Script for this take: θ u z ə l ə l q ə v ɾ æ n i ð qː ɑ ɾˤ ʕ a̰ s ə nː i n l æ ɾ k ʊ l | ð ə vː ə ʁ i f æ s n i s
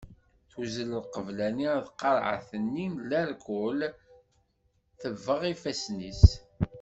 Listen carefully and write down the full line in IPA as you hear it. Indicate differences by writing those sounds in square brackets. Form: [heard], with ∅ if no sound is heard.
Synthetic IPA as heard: θ u z ə l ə l q ə v [l] æ n i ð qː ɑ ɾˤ ʕ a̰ [θ] ə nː i n l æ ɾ k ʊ l | [θ] ə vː ə ʁ i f æ s n i s